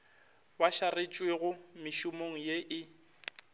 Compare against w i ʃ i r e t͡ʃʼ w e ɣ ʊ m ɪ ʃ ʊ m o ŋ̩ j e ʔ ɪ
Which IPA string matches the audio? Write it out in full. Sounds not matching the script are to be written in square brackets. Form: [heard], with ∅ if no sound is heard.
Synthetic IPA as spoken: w [a] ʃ [a] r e t͡ʃʼ w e ɣ ʊ m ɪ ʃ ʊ m o ŋ̩ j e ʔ ɪ